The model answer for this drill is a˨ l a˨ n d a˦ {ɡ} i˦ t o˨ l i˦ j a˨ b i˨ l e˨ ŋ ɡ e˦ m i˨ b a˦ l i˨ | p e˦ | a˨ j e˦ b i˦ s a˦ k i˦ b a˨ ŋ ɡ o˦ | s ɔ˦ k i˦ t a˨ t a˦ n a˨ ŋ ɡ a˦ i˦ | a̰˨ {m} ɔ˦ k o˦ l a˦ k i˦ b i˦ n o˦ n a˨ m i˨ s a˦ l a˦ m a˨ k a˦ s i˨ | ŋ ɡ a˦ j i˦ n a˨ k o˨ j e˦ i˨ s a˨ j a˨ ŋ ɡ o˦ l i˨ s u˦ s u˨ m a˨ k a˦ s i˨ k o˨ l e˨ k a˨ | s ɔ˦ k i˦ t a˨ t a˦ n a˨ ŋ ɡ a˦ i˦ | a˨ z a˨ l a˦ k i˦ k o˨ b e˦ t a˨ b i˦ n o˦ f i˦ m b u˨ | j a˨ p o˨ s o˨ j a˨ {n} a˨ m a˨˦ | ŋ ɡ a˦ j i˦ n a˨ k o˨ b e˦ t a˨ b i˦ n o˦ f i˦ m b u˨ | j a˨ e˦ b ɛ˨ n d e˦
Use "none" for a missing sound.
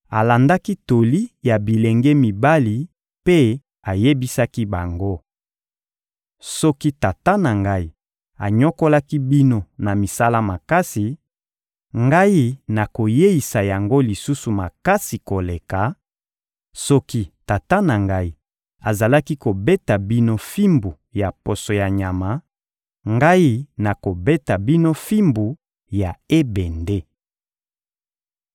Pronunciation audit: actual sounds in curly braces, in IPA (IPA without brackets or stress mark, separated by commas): k, ɲ, ɲ